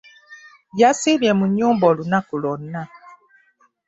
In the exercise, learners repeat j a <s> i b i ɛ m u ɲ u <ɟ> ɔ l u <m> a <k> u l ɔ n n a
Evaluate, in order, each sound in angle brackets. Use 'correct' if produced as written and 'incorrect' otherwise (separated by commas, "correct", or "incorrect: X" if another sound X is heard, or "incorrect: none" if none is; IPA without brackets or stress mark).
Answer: correct, incorrect: b, incorrect: n, correct